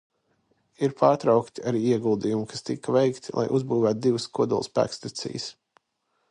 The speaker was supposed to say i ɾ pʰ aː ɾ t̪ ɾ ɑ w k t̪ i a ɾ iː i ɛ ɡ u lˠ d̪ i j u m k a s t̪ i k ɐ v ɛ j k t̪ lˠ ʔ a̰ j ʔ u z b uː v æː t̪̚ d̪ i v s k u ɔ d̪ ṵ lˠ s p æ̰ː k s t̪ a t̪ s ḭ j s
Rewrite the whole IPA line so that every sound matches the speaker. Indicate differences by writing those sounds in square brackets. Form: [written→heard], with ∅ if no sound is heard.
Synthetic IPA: i ɾ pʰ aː ɾ t̪ ɾ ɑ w k t̪ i a ɾ iː i ɛ ɡ u lˠ d̪ i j u m k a s t̪ i k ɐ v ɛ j k t̪ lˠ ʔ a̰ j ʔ u z b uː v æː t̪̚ d̪ i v s k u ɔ d̪ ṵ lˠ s p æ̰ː k s t̪ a t̪ s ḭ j s